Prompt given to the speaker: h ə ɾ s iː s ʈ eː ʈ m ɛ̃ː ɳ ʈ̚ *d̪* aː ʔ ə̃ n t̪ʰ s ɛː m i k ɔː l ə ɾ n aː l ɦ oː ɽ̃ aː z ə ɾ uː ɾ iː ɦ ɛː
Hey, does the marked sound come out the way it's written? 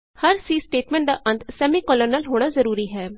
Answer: yes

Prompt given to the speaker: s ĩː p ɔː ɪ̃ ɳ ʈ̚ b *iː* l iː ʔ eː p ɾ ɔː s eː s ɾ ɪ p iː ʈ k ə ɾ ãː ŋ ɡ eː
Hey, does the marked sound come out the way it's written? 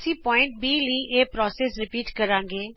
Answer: yes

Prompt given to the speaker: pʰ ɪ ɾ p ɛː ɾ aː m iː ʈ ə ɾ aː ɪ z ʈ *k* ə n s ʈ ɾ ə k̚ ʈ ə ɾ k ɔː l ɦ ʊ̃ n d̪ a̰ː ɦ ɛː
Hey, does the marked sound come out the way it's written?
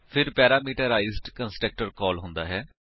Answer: yes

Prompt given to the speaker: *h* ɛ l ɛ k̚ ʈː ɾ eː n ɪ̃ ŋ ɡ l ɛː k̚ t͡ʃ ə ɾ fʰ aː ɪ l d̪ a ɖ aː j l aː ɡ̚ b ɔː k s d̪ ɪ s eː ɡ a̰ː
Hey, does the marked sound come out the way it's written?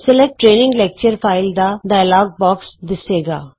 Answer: no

